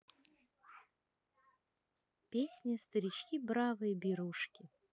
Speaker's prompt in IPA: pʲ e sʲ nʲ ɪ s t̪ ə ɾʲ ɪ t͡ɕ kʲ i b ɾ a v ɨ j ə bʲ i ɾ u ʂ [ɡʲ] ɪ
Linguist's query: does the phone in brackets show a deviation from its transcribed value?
yes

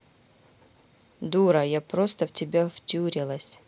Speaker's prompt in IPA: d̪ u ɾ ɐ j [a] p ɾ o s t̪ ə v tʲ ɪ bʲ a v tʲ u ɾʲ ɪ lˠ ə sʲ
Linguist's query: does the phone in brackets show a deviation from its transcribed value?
no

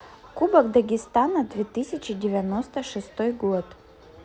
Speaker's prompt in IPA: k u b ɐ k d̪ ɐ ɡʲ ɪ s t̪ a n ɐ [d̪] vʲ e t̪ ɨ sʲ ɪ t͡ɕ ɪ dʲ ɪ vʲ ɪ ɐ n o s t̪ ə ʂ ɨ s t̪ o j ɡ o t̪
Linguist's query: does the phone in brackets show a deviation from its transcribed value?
no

